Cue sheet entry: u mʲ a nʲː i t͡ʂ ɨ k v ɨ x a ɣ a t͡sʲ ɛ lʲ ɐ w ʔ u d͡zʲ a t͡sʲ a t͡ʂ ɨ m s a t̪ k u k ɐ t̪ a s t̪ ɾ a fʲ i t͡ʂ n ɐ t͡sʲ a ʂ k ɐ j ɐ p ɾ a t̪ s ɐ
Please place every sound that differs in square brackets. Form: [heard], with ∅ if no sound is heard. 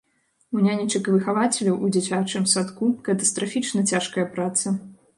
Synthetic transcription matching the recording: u [nʲ] a [nʲ] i t͡ʂ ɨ k v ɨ x a [v] a t͡sʲ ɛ lʲ ɐ w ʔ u d͡zʲ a t͡sʲ a t͡ʂ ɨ m s a t̪ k u k ɐ t̪ [ɐ] s t̪ ɾ a fʲ i t͡ʂ n ɐ t͡sʲ a ʂ k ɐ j ɐ p ɾ a t̪ s ɐ